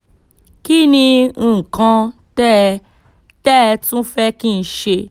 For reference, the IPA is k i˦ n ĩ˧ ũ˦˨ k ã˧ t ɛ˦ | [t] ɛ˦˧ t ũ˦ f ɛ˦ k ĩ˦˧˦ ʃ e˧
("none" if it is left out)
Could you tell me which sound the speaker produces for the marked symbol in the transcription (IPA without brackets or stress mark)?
t